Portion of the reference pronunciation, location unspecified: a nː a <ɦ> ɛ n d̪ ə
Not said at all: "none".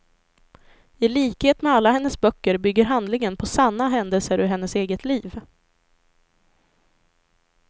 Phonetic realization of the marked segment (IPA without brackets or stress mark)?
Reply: ɦ